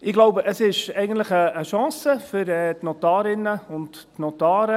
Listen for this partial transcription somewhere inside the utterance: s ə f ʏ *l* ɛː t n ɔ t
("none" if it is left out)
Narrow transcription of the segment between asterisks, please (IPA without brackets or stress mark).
ɾ